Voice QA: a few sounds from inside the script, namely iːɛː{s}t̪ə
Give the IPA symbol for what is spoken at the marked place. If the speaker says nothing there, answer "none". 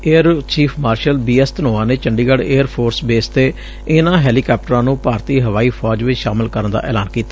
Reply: s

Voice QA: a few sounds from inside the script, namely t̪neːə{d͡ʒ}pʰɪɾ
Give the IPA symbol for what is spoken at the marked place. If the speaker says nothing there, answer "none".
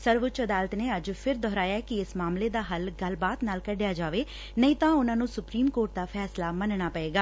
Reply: d͡ʒ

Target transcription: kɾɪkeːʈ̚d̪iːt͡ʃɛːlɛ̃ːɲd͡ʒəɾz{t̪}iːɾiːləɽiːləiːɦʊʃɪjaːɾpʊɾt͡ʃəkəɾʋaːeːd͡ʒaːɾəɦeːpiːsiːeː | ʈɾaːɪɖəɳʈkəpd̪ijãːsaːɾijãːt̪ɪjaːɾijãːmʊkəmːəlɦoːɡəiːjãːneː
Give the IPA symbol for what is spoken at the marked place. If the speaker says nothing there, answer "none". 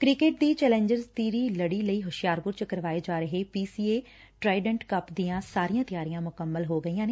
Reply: t̪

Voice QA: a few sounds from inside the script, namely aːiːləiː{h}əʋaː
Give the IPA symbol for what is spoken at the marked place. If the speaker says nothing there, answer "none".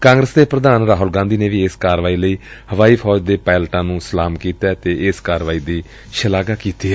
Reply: h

